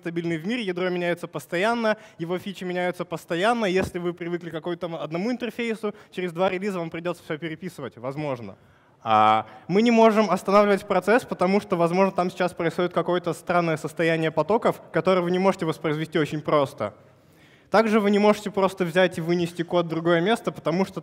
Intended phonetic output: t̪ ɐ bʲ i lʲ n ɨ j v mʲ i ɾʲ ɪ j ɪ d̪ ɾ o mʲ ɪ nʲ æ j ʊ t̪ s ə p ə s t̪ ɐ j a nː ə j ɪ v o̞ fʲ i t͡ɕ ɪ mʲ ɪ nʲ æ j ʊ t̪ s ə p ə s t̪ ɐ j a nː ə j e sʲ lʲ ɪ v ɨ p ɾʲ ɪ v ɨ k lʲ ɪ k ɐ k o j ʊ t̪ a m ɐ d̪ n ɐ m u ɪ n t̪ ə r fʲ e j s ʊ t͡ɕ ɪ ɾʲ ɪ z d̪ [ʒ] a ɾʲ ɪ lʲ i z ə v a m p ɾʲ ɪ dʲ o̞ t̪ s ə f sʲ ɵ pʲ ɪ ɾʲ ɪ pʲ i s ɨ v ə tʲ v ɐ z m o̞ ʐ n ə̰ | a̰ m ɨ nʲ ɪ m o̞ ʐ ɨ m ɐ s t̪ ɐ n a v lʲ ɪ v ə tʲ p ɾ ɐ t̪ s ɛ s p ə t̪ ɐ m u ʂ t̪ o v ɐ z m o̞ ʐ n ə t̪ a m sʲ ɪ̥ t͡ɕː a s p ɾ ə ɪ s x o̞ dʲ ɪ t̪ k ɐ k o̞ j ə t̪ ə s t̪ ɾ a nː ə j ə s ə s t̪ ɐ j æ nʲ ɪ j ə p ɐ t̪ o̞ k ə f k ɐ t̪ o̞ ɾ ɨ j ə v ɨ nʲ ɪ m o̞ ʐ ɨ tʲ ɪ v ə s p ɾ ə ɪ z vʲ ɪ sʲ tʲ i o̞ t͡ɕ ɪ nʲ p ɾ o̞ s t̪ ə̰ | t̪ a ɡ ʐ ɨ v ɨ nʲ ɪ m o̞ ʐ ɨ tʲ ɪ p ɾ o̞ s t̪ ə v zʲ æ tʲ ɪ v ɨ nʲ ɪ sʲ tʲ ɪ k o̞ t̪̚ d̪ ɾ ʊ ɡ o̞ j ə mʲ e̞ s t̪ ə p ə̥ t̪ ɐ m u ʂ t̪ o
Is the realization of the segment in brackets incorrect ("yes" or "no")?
yes